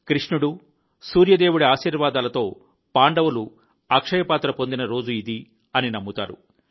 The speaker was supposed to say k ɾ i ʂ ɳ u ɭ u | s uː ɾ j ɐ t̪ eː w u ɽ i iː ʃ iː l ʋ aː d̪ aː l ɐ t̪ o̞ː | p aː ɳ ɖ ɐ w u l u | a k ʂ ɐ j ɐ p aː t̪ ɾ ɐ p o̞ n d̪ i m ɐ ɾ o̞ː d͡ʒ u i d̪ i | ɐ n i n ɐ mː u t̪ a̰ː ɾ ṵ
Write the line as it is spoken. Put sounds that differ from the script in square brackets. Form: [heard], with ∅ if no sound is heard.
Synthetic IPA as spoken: k ɾ i ʂ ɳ u [ɽ] u | s uː ɾ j ɐ [d̪] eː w u ɽ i [aː] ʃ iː [ɾ] ʋ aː d̪ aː l ɐ t̪ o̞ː | p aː ɳ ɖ ɐ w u l u | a k ʂ ɐ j ɐ p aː t̪ ɾ ɐ p o̞ n d̪ i [n] ɐ ɾ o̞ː d͡ʒ u i d̪ i | ɐ n i n ɐ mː u t̪ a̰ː ɾ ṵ